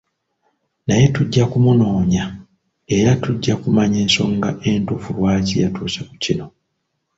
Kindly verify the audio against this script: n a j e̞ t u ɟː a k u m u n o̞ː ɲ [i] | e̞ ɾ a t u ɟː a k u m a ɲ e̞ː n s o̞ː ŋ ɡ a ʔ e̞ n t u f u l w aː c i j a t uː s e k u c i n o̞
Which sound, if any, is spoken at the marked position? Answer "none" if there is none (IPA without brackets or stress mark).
a